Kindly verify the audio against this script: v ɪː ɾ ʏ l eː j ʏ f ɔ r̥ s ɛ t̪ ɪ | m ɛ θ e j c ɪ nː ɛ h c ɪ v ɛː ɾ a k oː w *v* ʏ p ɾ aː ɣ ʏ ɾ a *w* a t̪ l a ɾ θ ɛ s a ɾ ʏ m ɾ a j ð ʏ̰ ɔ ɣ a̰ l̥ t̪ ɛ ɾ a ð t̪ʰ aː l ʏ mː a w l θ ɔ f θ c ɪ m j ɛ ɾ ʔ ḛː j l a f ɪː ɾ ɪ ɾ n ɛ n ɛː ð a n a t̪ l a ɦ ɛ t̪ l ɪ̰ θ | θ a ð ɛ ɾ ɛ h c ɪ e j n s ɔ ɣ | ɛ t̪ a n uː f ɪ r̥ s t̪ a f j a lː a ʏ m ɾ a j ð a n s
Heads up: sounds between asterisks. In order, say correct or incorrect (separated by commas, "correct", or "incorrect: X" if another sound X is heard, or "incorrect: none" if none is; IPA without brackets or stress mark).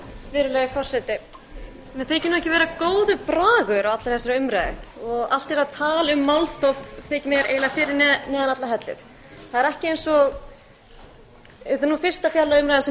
incorrect: ð, correct